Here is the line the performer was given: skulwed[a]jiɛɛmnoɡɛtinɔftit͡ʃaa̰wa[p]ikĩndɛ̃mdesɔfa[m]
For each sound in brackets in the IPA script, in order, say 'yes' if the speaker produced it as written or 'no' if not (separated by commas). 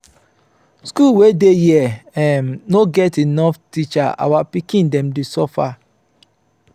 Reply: no, yes, no